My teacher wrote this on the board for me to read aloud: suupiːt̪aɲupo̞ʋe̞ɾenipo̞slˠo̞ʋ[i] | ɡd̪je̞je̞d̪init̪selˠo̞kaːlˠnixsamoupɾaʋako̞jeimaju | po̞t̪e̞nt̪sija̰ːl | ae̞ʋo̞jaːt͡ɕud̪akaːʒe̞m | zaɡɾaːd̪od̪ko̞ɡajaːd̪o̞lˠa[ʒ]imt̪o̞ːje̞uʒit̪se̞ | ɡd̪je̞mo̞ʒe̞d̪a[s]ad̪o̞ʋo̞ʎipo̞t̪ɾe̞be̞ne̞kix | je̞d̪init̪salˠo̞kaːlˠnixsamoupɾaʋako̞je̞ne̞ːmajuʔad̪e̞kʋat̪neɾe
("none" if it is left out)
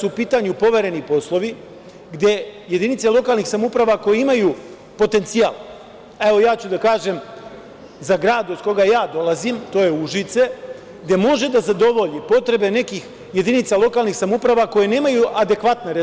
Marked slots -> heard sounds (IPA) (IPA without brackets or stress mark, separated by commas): i, z, z